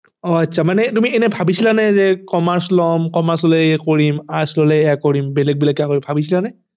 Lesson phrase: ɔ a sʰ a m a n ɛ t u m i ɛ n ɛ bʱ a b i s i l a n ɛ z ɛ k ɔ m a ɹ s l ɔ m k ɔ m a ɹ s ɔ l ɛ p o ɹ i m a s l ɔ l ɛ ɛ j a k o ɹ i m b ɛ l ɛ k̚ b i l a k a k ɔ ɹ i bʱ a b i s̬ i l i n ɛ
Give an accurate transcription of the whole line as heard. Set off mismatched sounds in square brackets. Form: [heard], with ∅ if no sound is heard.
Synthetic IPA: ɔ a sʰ a m a n ɛ t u m i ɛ n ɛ bʱ a b i s i l a n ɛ z ɛ k ɔ m a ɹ s l ɔ m k ɔ m a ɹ s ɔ l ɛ [k] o ɹ i m a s l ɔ l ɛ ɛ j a k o ɹ i m b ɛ l ɛ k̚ b i l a k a k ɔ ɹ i bʱ a b i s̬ i l [a] n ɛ

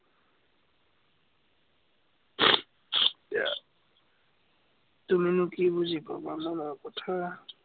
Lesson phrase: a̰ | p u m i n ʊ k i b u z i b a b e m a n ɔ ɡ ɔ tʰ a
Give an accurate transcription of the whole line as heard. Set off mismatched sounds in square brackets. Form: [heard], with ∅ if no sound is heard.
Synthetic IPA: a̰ | [t] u m i n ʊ k i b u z i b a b [a] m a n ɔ [k] ɔ tʰ a

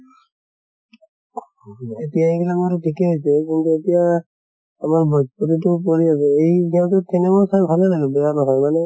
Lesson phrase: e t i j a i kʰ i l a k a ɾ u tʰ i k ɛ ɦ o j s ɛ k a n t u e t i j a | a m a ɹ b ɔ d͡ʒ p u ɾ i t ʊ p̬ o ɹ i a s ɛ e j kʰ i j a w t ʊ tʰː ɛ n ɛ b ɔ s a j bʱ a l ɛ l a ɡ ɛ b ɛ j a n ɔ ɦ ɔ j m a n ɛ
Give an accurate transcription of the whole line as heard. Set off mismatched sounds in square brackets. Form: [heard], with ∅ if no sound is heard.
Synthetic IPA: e t i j a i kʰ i l a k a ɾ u tʰ i k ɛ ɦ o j s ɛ k [i] n t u e t i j a | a m a ɹ b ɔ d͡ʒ p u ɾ i t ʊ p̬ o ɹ i a s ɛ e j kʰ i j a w t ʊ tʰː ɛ n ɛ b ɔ s a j bʱ a l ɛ l a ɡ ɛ b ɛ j a n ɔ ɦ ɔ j m a n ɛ

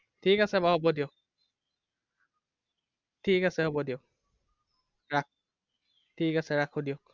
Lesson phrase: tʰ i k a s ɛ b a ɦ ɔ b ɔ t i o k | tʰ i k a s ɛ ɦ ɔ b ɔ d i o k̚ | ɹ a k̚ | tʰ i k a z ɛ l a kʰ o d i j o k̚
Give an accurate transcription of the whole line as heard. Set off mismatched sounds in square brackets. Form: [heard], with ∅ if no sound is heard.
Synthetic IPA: tʰ i k a s ɛ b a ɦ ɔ b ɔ [d] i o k | tʰ i k a s ɛ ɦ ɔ b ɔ d i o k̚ | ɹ a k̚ | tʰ i k a [s] ɛ [ɹ] a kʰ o d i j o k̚

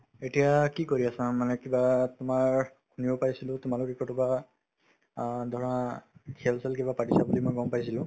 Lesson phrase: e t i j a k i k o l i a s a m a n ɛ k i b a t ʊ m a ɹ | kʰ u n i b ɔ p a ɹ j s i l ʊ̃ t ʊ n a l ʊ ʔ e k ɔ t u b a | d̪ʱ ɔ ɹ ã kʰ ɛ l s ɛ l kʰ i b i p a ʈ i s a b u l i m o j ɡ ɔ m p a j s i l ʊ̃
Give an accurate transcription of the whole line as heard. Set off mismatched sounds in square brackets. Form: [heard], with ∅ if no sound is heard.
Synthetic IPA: e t i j a k i k o [ɹ] i a s a m a n ɛ k i b a t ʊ m a ɹ | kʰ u n i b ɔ p a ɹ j s i l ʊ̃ t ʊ [m] a l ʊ [k] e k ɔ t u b a | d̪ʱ ɔ ɹ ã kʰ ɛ l s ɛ l [k] i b [a] p a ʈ i s a b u l i m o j ɡ ɔ m p a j s i l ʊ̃

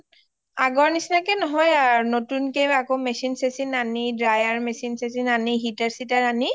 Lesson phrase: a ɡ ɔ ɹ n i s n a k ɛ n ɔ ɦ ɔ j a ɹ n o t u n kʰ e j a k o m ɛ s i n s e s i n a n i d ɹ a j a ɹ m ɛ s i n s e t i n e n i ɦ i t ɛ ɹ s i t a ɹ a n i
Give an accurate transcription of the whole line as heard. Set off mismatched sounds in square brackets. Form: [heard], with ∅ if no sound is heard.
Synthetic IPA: a ɡ ɔ ɹ n i s n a k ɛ n ɔ ɦ ɔ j a ɹ n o t u n [k] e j a k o m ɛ s i n s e s i n a n i d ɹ a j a ɹ m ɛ s i n s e [s] i n [a] n i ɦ i t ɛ ɹ s i t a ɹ a n i

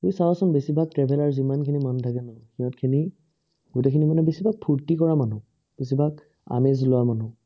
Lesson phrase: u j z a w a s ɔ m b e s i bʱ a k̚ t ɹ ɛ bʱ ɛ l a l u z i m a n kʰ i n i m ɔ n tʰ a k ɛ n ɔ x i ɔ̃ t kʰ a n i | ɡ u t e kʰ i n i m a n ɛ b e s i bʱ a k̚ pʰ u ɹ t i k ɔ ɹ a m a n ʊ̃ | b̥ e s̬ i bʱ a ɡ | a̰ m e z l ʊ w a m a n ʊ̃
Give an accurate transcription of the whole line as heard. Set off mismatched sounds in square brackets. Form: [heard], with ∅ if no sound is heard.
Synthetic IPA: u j [s] a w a s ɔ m b e s i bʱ a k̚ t ɹ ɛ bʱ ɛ l a [ɹ] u z i m a n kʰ i n i m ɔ n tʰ a k ɛ n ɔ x i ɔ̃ t kʰ [i] n i | ɡ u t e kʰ i n i m a n ɛ b e s i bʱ a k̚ pʰ u ɹ t i k ɔ ɹ a m a n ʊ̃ | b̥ e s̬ i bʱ a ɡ | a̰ m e z l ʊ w a m a n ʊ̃

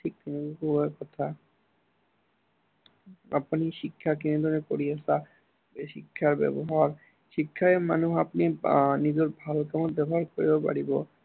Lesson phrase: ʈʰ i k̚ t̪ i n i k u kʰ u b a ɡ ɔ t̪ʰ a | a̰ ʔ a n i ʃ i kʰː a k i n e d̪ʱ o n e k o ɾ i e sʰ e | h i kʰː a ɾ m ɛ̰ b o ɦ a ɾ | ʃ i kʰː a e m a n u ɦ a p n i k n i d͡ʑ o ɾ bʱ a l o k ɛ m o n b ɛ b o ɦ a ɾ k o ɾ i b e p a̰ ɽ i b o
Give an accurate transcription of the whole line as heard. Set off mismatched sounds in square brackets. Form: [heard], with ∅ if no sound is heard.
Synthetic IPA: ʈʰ i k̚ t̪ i n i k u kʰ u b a [k] ɔ t̪ʰ a | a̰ [p] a n i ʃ i kʰː a k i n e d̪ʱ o n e k o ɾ i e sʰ [a] | [ʃ] i kʰː a ɾ [b] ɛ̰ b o ɦ a ɾ | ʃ i kʰː a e m a n u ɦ a p n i [∅] n i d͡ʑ o ɾ bʱ a l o k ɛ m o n b ɛ b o ɦ a ɾ k o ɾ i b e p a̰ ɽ i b o

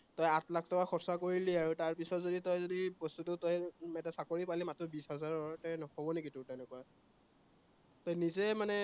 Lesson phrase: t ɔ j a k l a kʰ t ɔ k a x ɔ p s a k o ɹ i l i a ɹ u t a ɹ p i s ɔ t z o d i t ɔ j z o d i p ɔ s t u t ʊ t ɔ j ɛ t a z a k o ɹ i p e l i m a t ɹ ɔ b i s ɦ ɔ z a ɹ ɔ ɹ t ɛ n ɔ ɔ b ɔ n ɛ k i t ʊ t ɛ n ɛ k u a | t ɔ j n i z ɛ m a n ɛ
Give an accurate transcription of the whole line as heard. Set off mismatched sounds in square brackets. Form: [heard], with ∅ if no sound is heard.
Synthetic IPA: t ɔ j a [t] l a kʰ t ɔ k a x ɔ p s a k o ɹ i l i a ɹ u t a ɹ p i s ɔ t z o d i t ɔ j z o d i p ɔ s t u t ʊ t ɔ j ɛ t a [s] a k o ɹ i p [a] l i m a t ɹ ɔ b i s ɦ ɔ z a ɹ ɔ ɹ t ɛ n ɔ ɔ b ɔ n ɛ k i t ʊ t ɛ n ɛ k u a | t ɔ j n i z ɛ m a n ɛ

